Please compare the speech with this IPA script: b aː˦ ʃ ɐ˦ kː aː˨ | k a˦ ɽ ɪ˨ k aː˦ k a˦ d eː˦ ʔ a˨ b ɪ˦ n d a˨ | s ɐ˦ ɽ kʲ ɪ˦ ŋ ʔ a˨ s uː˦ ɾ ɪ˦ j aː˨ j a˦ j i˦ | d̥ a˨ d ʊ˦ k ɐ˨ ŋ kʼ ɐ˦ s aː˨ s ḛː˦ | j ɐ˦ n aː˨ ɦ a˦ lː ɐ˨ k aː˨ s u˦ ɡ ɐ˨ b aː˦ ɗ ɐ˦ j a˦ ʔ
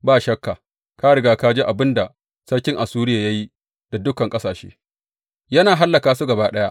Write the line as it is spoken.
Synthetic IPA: b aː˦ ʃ ɐ˦ kː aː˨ | k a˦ ɽ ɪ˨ ɡ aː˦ k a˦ d͡ʒ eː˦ ʔ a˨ b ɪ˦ n d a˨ | s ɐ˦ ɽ kʲ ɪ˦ ŋ ʔ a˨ s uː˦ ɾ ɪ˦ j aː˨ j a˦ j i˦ | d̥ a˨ d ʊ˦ k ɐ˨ ŋ kʼ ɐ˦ s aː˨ ʃ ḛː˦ | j ɐ˦ n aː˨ ɦ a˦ lː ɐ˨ k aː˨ s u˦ ɡ ɐ˨ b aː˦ ɗ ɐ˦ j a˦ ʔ